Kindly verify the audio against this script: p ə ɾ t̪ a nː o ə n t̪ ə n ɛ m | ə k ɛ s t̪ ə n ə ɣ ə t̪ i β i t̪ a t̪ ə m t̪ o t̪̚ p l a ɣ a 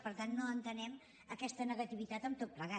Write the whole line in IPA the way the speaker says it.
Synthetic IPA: p ə ɾ t̪ a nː o ə n t̪ ə n ɛ m | ə k ɛ s t̪ ə n ə ɣ ə t̪ i β i t̪ a t̪ ə m t̪ o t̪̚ p l ə ɣ a